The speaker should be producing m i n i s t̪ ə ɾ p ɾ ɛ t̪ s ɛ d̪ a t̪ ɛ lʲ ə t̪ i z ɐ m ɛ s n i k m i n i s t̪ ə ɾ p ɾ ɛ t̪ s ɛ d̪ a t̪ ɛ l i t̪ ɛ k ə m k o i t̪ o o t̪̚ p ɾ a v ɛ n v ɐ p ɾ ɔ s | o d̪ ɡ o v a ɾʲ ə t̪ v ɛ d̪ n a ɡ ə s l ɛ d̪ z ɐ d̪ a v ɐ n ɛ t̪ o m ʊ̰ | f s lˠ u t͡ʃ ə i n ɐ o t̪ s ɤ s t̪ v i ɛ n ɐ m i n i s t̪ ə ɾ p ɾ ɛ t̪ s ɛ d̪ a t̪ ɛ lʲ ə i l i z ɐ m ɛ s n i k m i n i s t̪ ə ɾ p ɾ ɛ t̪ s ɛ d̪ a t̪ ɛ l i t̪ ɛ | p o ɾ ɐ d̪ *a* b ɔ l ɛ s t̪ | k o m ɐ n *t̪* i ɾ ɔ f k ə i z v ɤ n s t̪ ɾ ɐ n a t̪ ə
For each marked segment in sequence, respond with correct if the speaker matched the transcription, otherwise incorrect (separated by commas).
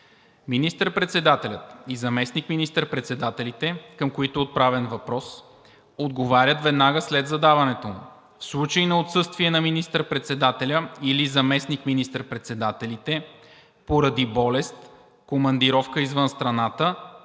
incorrect, incorrect